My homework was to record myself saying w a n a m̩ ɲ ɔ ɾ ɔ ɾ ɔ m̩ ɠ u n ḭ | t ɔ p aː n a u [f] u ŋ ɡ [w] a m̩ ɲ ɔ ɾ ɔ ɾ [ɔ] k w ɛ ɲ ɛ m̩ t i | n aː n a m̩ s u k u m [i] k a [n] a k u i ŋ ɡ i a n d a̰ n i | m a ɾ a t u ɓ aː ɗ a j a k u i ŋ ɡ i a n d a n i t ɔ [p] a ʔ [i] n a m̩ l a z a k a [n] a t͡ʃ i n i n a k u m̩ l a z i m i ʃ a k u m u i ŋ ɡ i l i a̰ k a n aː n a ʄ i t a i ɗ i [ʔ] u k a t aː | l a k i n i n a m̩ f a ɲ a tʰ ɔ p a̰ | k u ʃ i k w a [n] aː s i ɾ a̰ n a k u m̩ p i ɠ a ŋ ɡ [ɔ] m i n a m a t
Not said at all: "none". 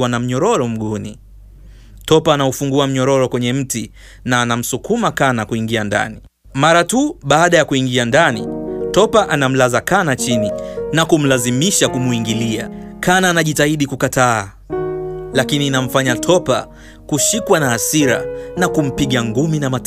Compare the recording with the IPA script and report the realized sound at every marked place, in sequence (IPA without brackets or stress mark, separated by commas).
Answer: f, u, ɔ, a, n, p, a, n, k, n, u